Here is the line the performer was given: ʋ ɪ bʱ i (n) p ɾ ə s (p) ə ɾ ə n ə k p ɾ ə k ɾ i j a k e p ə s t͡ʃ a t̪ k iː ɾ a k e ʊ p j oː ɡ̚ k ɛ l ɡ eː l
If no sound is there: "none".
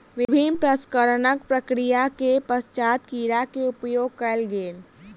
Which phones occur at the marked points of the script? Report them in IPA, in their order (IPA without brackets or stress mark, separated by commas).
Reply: n, k